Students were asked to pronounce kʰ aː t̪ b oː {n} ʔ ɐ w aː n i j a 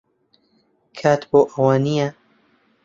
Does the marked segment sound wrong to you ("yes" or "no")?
yes